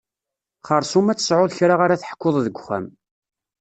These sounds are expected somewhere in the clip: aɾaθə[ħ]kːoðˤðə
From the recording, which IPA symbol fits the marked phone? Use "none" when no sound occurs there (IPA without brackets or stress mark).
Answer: ħ